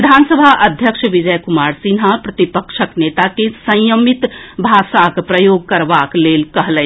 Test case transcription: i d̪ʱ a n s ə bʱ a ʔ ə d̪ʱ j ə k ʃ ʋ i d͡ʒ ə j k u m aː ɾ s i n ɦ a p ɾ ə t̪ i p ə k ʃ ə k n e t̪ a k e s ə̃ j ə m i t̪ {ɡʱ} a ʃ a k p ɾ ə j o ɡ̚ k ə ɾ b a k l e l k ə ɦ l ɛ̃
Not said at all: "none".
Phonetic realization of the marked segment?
bʱ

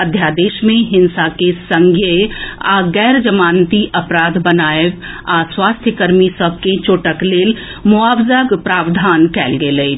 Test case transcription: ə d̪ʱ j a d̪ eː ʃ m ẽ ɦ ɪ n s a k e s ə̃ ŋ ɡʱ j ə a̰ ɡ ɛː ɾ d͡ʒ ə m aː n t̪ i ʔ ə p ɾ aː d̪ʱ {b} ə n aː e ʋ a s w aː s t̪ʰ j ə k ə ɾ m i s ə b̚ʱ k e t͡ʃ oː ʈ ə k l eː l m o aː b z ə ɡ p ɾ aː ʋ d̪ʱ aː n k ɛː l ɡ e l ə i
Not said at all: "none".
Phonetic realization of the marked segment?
b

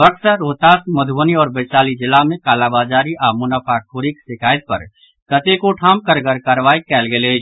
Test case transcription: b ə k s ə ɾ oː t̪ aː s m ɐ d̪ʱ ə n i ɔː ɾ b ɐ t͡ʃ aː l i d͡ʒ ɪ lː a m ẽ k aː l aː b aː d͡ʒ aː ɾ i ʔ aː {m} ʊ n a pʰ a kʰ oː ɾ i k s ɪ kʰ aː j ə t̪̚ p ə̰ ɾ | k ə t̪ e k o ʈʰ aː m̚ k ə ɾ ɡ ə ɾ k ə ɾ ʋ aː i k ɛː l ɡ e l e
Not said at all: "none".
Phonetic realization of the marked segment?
m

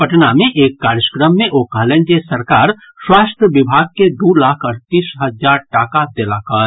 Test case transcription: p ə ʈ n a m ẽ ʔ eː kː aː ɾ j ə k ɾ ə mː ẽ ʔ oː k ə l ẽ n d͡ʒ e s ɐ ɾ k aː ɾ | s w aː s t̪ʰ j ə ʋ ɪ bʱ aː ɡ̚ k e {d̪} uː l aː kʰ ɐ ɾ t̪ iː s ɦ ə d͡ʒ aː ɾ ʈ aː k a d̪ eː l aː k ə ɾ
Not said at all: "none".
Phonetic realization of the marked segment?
d̪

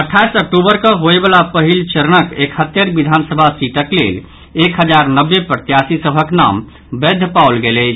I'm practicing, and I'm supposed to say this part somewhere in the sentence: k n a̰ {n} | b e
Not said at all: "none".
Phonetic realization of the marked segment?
m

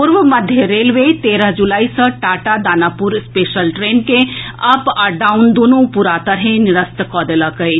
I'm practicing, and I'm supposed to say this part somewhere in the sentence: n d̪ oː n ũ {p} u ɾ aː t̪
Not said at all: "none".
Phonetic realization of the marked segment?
p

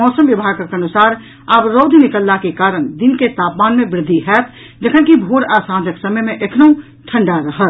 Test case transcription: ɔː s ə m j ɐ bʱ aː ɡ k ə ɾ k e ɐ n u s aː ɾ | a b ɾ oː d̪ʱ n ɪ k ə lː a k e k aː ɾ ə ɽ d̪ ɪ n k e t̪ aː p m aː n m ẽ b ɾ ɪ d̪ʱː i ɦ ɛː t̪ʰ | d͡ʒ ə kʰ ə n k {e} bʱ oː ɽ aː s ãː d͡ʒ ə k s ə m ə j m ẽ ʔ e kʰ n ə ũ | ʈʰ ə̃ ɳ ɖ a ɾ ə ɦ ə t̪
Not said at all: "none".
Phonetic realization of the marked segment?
i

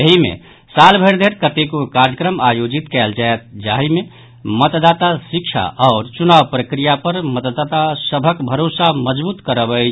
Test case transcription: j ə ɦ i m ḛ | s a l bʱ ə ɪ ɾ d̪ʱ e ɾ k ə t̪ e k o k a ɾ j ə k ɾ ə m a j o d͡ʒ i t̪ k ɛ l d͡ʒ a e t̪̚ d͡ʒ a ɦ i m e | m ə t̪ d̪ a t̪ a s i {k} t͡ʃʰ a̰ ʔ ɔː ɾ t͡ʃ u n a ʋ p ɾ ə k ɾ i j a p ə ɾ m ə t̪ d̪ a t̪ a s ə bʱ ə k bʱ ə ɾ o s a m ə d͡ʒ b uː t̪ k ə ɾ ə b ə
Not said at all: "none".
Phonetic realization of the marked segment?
k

